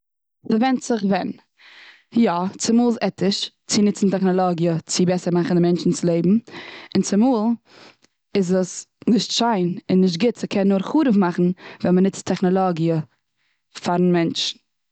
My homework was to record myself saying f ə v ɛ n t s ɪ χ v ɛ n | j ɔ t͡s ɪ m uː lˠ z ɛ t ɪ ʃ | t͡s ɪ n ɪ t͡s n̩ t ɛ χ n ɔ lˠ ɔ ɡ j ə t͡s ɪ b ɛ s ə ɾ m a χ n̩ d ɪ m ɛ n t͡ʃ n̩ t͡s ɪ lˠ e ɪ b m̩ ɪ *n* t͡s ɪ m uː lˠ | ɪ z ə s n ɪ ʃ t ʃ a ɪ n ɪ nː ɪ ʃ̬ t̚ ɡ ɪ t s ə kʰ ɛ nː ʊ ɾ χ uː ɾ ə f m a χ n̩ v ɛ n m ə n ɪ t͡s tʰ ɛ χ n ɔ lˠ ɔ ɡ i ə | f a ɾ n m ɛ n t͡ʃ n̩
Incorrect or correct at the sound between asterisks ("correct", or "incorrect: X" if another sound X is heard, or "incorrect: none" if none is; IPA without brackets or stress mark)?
correct